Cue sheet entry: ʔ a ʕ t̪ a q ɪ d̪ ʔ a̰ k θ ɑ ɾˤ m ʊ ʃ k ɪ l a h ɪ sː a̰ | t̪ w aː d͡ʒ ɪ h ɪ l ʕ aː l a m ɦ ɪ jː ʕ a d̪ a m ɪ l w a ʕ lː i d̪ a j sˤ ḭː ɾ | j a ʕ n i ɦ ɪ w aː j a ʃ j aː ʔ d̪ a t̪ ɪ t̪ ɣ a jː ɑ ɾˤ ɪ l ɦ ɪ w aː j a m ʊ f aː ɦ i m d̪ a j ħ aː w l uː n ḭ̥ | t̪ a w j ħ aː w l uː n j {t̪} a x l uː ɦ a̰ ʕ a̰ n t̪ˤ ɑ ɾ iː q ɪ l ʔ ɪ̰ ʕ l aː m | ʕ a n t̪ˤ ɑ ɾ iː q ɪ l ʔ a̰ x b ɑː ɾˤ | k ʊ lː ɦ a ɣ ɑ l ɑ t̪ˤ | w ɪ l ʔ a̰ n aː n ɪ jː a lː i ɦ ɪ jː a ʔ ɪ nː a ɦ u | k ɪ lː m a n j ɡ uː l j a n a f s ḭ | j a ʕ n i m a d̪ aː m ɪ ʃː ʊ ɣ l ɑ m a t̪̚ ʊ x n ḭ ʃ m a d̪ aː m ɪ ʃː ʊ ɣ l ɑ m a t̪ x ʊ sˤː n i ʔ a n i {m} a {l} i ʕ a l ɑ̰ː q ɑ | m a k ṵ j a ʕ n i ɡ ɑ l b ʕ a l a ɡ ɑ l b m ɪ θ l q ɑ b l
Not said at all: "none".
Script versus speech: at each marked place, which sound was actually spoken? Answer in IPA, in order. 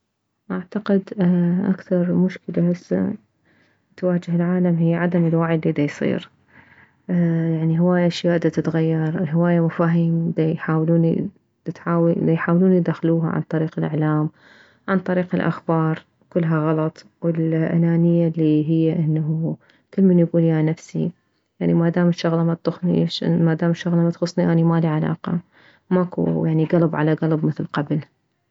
d̪, m, l

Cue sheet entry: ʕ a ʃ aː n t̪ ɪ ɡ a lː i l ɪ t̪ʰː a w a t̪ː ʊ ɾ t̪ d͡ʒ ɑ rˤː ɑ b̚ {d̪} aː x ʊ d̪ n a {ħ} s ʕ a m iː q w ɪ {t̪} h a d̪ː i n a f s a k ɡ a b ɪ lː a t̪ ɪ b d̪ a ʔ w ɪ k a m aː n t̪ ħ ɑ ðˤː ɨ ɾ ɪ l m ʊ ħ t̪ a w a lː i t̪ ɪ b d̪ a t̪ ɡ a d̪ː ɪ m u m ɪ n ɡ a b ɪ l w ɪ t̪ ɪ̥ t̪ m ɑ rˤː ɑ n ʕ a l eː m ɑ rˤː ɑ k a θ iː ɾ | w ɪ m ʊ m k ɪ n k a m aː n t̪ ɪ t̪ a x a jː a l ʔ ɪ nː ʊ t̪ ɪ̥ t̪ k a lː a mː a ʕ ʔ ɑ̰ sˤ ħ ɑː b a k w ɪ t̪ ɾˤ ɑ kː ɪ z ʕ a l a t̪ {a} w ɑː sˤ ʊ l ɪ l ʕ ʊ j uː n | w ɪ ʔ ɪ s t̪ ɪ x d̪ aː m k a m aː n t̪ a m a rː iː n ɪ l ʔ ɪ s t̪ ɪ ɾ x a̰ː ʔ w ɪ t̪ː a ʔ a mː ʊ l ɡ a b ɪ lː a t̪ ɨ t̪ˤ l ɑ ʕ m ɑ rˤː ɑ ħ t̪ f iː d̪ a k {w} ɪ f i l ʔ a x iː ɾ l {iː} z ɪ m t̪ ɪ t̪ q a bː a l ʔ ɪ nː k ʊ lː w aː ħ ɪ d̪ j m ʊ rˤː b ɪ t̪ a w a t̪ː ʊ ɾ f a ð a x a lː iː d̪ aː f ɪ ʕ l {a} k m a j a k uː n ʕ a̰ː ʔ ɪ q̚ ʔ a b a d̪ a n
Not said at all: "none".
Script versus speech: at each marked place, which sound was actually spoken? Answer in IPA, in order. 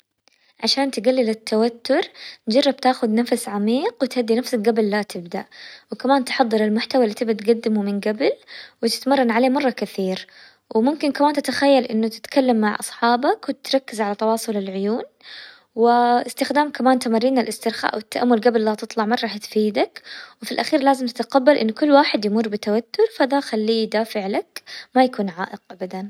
t̪, f, t̪, ɑ, w, aː, a

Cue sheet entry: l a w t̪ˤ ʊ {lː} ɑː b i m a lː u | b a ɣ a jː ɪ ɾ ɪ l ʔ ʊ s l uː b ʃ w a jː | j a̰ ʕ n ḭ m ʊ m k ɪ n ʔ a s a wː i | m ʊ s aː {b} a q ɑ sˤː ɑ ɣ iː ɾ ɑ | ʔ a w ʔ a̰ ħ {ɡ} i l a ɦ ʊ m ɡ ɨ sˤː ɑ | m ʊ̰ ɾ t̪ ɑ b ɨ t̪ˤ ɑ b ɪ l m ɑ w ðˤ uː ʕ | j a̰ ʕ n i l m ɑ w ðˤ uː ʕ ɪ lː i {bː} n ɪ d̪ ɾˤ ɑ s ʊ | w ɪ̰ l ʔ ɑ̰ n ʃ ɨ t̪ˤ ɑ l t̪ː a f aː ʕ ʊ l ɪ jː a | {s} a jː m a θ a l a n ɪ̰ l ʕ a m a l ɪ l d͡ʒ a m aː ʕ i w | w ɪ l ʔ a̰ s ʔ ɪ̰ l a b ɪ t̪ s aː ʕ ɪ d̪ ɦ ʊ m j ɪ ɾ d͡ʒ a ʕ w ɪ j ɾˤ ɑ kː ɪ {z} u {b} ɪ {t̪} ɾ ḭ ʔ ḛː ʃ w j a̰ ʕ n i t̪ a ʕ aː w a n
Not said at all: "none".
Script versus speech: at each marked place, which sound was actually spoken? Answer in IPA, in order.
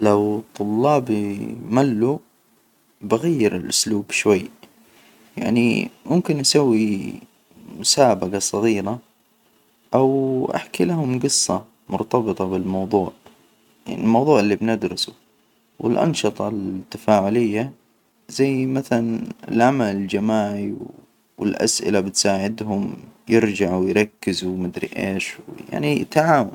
lː, b, k, b, z, z, m, d̪

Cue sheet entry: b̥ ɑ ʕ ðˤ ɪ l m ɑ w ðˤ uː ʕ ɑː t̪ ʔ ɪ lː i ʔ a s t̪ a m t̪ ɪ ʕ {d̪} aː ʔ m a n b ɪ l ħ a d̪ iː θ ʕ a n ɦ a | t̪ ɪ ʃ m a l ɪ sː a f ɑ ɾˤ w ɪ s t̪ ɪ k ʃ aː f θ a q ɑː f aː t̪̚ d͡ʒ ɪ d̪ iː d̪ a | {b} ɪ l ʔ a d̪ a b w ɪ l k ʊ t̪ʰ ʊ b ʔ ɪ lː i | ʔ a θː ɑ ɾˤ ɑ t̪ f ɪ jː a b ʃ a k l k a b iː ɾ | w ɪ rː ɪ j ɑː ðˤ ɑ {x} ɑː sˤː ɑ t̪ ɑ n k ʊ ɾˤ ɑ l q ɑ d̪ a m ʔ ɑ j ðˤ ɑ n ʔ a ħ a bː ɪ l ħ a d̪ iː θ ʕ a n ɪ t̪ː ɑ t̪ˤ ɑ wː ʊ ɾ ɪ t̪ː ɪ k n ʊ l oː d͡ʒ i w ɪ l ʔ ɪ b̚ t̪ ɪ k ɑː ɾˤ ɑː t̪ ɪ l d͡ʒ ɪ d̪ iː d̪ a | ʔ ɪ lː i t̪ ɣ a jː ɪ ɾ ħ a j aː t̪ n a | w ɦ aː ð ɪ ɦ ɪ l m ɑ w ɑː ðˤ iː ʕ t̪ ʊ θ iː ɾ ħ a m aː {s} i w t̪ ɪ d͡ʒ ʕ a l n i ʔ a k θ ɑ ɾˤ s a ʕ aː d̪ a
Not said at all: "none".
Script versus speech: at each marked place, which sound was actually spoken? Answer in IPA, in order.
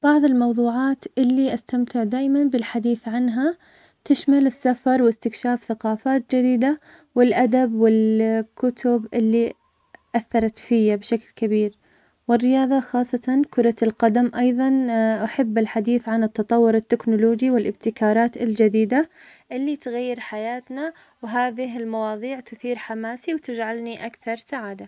d̪, w, x, s

